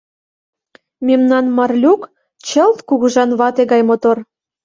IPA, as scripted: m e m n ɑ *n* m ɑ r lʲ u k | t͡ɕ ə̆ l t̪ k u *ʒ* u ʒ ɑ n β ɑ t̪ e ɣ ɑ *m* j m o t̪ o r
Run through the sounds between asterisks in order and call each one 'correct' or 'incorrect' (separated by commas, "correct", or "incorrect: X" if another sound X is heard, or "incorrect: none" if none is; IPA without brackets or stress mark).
correct, incorrect: ɣ, incorrect: none